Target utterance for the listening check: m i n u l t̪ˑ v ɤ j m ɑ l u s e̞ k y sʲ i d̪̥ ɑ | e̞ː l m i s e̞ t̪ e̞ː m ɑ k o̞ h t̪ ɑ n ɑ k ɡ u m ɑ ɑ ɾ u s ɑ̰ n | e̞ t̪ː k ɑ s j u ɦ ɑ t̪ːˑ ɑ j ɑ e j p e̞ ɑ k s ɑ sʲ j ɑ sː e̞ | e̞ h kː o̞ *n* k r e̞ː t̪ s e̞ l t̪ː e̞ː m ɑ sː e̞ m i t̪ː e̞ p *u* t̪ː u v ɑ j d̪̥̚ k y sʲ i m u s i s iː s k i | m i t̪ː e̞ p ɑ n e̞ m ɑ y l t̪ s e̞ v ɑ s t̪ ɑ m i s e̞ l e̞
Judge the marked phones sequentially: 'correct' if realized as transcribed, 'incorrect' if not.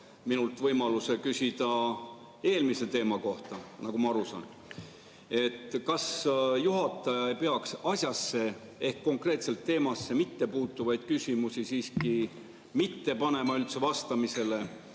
incorrect: ŋ, incorrect: uː

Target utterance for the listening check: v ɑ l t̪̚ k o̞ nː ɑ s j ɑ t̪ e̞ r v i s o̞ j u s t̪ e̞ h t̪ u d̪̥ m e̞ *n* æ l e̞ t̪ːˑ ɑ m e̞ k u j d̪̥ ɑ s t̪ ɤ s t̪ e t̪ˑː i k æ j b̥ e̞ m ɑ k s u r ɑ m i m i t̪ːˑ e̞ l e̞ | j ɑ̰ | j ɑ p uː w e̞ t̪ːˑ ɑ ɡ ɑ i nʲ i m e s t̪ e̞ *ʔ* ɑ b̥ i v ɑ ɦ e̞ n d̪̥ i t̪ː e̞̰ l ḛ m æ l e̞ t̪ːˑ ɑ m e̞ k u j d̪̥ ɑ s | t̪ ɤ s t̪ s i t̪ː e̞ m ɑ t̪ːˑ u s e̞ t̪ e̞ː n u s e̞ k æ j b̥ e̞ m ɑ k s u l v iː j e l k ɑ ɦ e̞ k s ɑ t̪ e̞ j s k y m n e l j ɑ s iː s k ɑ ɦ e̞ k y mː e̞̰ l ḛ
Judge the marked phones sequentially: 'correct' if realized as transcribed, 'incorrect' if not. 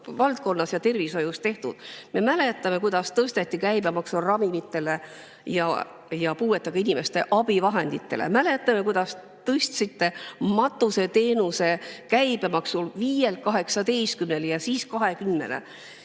incorrect: m, correct

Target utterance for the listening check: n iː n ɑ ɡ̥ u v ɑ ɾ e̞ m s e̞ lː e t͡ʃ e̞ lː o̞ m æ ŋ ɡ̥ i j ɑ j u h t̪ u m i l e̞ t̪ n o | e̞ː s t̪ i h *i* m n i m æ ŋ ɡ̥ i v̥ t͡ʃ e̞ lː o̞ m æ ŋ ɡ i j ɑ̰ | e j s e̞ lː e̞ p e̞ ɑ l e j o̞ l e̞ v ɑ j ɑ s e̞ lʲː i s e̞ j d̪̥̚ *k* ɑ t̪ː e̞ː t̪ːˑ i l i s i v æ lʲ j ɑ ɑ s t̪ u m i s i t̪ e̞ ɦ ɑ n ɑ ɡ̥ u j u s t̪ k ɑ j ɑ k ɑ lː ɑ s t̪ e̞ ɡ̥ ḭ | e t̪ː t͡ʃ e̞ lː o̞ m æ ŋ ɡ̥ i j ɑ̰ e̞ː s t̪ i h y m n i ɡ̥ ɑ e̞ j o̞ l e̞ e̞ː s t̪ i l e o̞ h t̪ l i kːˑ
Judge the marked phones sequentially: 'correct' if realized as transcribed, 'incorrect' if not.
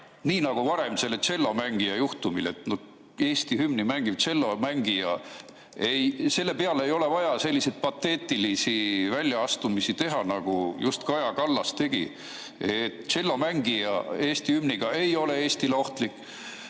incorrect: y, incorrect: p

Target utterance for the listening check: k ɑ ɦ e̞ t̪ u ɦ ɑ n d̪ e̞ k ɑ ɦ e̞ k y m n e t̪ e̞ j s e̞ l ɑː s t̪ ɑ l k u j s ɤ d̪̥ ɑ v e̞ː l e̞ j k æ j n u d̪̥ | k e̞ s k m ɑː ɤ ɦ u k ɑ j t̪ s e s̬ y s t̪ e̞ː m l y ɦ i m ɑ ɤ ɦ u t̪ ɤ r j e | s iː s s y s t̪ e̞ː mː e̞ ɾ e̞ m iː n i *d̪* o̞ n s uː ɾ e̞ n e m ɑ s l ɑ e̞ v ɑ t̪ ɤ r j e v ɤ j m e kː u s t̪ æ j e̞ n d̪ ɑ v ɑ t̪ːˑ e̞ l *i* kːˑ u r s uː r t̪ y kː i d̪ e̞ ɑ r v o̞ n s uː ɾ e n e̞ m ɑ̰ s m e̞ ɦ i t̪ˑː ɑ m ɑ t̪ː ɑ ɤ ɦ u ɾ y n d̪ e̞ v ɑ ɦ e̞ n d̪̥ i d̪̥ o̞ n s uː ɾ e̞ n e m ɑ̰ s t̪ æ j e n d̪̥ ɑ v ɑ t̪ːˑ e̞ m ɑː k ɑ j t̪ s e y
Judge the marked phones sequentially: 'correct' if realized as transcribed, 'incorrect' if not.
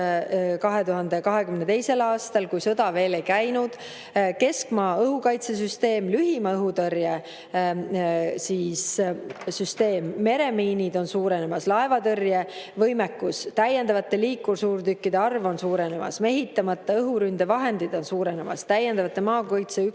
correct, incorrect: iː

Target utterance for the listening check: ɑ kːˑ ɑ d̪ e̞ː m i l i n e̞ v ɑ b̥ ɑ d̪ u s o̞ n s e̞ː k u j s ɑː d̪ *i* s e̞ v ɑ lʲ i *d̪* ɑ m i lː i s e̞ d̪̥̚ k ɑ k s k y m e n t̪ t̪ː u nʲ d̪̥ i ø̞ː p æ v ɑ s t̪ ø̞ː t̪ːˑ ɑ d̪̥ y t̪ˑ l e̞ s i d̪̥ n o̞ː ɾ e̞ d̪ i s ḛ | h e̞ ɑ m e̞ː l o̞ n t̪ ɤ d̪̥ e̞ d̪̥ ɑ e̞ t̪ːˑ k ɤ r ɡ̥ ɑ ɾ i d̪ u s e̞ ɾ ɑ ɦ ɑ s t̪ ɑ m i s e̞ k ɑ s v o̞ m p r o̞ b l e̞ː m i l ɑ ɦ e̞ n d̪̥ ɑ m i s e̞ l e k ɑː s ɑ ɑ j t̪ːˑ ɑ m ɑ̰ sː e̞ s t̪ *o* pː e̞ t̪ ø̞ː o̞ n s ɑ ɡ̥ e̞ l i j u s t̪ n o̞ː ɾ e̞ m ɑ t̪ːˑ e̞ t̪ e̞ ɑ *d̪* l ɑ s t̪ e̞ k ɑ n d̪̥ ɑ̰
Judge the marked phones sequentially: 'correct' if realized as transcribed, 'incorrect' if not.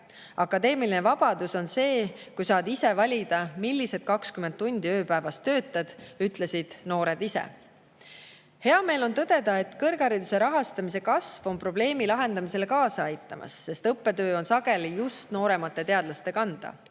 correct, correct, incorrect: ɤ, correct

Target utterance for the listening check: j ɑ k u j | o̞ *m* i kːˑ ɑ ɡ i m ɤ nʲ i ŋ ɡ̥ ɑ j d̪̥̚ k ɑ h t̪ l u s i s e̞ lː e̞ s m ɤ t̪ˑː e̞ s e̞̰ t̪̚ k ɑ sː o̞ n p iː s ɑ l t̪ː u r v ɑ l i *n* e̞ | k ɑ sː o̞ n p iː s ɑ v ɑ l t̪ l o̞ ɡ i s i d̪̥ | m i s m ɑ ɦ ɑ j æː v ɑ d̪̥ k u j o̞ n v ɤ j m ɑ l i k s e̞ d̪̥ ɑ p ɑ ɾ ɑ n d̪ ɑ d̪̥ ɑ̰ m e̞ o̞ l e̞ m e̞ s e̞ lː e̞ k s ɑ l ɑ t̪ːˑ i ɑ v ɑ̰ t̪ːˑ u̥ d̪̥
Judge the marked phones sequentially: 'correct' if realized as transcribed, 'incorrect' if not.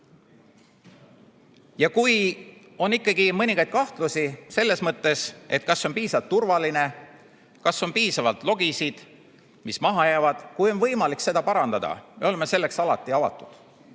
incorrect: n, correct

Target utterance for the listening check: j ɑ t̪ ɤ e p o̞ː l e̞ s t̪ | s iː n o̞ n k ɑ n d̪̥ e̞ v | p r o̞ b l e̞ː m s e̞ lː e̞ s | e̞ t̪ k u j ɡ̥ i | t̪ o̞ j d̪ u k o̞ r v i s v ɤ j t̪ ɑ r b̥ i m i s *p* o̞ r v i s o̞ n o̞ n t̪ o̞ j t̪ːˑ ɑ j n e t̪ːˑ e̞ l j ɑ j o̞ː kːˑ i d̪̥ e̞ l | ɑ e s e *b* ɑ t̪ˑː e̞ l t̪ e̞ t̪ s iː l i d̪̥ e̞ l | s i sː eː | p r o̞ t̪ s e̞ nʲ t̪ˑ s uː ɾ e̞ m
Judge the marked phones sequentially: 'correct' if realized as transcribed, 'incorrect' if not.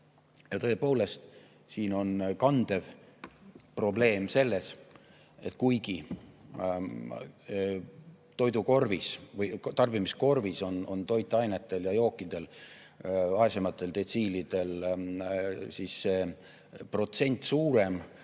incorrect: k, incorrect: m

